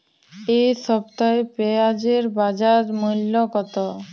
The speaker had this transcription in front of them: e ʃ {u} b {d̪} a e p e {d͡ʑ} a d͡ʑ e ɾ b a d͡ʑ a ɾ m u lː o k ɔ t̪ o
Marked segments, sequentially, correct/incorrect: incorrect: ɔ, incorrect: t̪, incorrect: none

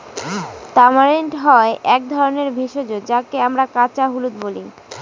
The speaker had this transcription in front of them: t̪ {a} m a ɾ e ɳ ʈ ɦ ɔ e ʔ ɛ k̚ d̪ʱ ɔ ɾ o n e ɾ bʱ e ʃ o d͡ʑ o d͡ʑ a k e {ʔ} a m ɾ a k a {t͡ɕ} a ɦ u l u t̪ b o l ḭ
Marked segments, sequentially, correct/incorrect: correct, incorrect: none, correct

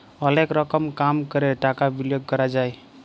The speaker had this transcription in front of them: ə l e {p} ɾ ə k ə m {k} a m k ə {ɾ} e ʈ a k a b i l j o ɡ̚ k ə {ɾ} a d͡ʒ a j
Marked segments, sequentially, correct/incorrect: incorrect: k, correct, correct, correct

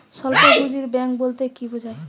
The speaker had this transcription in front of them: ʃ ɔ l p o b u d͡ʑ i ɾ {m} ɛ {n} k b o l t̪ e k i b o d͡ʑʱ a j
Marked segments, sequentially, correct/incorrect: incorrect: b, incorrect: ŋ

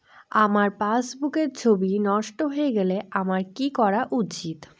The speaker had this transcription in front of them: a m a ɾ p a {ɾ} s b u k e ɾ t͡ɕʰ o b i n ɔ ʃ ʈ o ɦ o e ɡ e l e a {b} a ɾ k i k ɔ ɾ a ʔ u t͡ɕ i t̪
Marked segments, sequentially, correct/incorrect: incorrect: none, incorrect: m

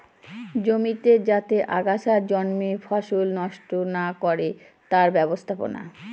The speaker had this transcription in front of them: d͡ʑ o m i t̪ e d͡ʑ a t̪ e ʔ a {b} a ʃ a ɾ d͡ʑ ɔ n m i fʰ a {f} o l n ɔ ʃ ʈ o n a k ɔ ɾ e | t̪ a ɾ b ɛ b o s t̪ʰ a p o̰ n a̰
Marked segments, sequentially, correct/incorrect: incorrect: ɡ, incorrect: ʃ

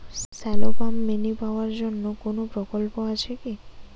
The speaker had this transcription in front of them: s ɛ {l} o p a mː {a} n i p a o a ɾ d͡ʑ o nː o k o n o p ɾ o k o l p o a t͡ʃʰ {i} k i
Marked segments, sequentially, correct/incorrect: correct, incorrect: e, incorrect: e

